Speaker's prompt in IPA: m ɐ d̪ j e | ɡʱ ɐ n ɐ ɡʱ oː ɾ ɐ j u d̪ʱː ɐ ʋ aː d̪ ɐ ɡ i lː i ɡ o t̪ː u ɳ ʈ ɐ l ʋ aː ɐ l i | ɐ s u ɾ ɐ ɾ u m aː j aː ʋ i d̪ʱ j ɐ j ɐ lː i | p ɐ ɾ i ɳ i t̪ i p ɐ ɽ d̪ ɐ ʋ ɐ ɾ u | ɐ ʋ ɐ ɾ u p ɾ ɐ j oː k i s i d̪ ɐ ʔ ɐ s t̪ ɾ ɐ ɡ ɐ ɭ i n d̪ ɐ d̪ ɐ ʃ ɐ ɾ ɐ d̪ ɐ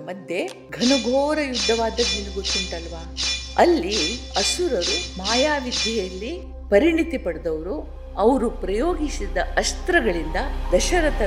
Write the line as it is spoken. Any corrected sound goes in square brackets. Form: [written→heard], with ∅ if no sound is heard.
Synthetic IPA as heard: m ɐ d̪ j e | ɡʱ ɐ n ɐ ɡʱ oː ɾ ɐ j u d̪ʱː ɐ ʋ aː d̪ ɐ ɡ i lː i ɡ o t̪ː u ɳ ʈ ɐ l ʋ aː ɐ [l→lː] i | ɐ s u ɾ ɐ ɾ u m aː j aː ʋ i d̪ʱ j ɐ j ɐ lː i | p ɐ ɾ i ɳ i t̪ i p ɐ ɽ d̪ ɐ ʋ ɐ ɾ u | ɐ ʋ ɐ ɾ u p ɾ ɐ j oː [k→ɡ] i s i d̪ ɐ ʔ ɐ s t̪ ɾ ɐ ɡ ɐ ɭ i n d̪ ɐ d̪ ɐ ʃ ɐ ɾ ɐ [d̪→t̪] ɐ